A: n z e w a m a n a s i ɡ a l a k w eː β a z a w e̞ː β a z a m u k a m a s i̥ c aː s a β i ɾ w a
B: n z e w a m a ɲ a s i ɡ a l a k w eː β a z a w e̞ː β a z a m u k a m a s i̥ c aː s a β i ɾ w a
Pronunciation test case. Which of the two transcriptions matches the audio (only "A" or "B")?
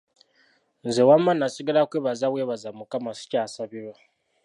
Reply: A